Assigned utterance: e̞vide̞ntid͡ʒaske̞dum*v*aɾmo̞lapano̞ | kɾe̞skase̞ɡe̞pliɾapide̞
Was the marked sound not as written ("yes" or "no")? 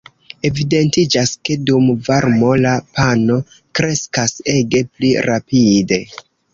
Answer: no